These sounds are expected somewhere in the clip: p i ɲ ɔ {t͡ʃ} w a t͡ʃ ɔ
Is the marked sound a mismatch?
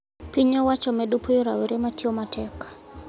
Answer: yes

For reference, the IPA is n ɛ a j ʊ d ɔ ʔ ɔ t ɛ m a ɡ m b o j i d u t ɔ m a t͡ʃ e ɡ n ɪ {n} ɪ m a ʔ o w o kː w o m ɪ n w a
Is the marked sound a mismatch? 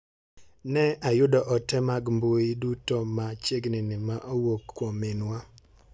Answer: no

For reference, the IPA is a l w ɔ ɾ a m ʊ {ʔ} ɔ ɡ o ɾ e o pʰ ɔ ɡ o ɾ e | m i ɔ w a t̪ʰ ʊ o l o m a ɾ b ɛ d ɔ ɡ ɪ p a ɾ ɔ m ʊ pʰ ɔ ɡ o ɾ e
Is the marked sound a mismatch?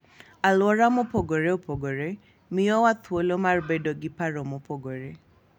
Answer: yes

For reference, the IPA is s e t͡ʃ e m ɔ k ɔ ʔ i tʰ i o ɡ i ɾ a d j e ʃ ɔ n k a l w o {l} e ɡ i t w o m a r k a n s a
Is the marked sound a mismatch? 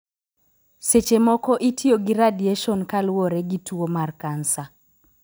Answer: yes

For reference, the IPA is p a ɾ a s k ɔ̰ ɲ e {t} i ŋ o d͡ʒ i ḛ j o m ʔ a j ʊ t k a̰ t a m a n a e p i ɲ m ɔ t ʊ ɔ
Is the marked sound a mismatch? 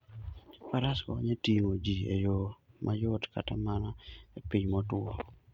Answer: no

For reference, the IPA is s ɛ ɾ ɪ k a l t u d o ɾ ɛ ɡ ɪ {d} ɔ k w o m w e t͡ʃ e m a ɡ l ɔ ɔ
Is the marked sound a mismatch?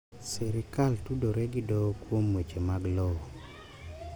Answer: no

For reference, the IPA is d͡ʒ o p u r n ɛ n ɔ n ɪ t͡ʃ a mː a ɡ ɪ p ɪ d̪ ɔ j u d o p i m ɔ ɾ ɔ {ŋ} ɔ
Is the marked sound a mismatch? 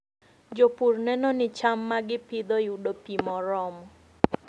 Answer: yes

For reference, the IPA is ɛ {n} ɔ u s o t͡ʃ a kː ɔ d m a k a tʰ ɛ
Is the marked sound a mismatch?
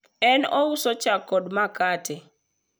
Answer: no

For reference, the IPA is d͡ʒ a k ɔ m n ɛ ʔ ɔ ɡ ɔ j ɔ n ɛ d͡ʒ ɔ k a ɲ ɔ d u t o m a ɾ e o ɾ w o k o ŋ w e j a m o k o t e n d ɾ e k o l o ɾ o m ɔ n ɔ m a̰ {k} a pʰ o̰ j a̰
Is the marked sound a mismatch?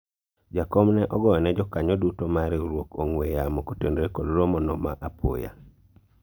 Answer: yes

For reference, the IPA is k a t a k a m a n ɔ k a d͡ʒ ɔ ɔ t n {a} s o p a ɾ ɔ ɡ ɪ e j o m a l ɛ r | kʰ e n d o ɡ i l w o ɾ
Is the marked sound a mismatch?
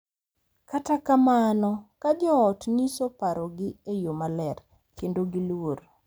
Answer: yes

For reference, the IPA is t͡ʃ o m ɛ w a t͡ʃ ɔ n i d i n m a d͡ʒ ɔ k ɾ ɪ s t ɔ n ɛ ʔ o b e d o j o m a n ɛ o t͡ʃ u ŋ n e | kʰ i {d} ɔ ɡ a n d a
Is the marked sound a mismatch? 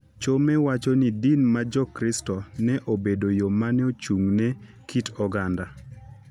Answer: yes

